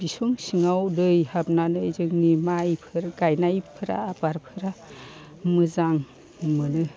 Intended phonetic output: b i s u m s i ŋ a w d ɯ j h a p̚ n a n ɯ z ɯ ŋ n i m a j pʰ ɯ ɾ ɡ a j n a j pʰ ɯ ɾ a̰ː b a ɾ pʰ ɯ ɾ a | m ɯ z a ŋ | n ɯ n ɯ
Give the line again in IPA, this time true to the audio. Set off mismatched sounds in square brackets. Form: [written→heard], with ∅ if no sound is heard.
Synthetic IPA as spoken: b i s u [m→ŋ] s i ŋ a w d ɯ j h a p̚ n a n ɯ z ɯ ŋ n i m a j pʰ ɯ ɾ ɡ a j n a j pʰ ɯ ɾ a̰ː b a ɾ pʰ ɯ ɾ a | m ɯ z a ŋ | [n→m] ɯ n ɯ